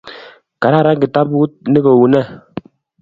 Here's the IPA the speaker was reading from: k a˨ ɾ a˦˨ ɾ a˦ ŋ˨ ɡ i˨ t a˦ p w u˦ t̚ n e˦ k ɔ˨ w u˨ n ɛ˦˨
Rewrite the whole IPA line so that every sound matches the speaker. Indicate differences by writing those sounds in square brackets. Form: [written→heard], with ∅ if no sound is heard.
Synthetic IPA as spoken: k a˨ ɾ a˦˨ ɾ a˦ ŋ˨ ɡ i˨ t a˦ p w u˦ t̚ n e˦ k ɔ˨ w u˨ n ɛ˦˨

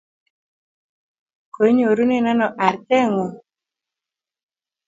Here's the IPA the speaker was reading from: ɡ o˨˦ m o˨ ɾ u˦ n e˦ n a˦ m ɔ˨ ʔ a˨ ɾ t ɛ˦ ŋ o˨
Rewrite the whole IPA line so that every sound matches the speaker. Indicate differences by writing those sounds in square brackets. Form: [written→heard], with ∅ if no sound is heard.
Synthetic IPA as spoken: [ɡ→k] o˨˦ [m→ɲ] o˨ ɾ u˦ n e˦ n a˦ [m→n] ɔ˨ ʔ a˨ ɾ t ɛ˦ ŋ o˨

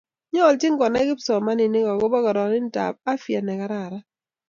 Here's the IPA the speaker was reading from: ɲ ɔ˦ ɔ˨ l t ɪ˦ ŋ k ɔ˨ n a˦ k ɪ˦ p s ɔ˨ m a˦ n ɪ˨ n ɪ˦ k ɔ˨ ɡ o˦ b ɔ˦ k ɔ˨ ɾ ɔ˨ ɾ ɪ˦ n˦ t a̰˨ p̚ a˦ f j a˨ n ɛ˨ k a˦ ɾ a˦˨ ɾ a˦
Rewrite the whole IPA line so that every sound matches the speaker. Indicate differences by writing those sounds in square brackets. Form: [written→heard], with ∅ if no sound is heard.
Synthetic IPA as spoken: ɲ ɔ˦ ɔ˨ l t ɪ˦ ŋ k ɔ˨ n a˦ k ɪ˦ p s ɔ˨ m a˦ n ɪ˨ n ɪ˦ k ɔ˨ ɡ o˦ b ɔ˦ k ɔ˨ ɾ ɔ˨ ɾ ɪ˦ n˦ t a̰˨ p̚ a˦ f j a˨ n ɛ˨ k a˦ ɾ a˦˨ ɾ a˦

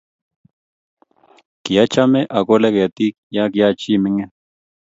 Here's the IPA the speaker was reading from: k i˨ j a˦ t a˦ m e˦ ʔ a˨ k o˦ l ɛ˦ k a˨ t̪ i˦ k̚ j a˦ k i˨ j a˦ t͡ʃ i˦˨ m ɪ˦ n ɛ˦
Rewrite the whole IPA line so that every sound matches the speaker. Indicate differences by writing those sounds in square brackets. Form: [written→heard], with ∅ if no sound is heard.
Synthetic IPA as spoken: k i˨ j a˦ [t→t͡ʃ] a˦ m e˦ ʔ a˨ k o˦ l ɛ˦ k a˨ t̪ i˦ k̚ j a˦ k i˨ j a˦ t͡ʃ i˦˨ m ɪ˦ [n→ŋ] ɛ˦

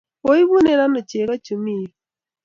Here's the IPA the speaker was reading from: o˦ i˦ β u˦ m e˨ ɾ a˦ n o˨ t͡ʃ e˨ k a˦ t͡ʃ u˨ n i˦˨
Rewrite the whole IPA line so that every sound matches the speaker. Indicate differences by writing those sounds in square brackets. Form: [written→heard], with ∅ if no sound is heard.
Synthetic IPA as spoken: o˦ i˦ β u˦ [m→n] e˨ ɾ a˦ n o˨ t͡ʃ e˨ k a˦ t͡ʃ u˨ [n→m] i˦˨

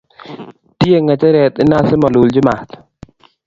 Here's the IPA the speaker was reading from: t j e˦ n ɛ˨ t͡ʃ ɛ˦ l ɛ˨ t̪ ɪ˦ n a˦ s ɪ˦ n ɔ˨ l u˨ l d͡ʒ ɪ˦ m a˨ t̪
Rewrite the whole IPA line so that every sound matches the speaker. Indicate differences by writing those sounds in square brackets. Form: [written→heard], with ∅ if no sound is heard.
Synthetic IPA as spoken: t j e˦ [n→ŋ] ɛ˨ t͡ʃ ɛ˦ [l→ɾ] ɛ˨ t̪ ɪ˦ n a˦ s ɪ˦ [n→m] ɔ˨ l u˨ l d͡ʒ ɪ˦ m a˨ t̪

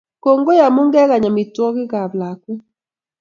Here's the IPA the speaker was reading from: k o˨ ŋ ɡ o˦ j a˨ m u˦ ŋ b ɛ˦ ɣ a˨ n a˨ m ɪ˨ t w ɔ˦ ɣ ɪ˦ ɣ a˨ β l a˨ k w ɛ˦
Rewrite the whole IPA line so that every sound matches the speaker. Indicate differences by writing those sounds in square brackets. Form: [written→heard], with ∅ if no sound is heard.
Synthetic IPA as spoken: k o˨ ŋ ɡ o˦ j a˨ m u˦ ŋ [b→ɡ] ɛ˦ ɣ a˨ [n→ɲ] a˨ m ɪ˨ t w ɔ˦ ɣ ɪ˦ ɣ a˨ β l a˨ k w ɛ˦

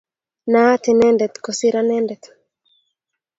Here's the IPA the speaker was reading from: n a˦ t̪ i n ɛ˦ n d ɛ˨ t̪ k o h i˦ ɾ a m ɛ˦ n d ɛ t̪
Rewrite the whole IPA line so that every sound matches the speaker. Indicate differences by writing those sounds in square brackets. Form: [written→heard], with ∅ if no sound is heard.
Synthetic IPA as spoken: n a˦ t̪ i n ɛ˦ n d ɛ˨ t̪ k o [h→s] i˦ ɾ a [m→n] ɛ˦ n d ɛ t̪

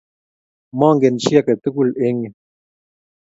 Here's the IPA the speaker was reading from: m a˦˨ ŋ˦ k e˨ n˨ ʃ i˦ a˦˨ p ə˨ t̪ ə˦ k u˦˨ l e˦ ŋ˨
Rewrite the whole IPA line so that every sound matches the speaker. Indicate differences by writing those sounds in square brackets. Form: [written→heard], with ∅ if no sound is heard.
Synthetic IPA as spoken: m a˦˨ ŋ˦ [k→ɡ] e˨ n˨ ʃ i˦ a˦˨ [p→k] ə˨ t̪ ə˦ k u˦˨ l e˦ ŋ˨

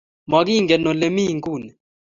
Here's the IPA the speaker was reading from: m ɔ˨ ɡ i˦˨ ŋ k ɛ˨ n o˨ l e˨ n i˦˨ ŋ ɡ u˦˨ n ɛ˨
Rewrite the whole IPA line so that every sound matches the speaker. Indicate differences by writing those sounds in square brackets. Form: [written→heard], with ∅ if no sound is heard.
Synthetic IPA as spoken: m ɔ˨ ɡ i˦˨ ŋ [k→ɡ] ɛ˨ n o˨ l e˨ [n→m] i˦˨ ŋ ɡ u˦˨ n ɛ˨

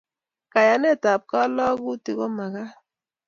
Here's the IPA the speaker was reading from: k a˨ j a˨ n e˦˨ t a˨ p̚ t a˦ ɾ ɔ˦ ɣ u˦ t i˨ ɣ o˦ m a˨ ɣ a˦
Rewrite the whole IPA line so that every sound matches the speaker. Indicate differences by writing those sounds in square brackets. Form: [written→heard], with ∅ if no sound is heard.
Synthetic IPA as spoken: k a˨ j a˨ n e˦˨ t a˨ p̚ [t→k] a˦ [ɾ→l] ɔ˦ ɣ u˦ t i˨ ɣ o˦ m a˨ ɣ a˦

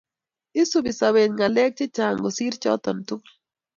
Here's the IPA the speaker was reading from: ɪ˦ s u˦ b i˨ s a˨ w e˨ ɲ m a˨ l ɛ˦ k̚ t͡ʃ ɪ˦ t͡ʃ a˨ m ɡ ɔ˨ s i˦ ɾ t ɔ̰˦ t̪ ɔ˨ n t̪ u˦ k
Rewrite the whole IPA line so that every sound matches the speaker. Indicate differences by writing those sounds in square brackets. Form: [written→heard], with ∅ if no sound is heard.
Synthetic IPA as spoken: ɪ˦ s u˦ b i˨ s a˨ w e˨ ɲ [m→ŋ] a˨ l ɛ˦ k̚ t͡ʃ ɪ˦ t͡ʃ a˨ [m→ŋ] ɡ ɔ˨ s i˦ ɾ [t→t͡ʃ] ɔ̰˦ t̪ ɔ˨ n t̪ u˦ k

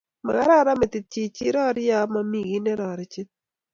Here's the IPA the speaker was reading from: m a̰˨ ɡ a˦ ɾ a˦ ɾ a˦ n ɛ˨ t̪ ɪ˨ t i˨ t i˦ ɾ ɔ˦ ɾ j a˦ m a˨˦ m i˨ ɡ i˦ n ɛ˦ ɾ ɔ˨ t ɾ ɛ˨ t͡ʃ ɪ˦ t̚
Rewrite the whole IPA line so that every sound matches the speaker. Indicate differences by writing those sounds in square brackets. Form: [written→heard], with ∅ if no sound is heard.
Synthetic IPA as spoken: m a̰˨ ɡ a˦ ɾ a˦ ɾ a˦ [n→m] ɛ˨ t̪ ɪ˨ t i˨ [t→t͡ʃ] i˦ ɾ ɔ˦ ɾ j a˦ m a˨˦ m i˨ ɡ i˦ n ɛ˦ ɾ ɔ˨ [t→∅] ɾ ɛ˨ t͡ʃ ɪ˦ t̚

